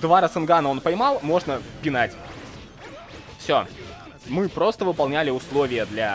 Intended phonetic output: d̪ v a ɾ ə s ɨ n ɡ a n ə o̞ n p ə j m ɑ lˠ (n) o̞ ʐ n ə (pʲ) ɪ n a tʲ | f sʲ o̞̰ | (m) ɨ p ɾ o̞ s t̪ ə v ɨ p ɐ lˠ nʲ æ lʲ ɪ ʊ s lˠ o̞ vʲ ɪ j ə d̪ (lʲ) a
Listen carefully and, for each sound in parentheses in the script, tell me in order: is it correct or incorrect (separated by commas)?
incorrect, correct, correct, correct